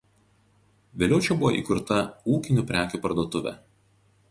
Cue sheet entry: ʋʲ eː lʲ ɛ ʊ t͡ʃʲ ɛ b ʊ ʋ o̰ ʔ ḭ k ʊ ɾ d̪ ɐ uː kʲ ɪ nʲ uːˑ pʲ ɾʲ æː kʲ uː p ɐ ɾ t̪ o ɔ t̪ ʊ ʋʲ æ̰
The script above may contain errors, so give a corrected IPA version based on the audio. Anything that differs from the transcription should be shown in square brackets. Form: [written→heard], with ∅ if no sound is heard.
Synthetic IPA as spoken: ʋʲ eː lʲ ɛ ʊ t͡ʃʲ ɛ b ʊ ʋ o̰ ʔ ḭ k ʊ ɾ [d̪→t̪] ɐ uː kʲ ɪ nʲ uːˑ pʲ ɾʲ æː kʲ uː p ɐ ɾ [t̪→d̪] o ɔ t̪ ʊ ʋʲ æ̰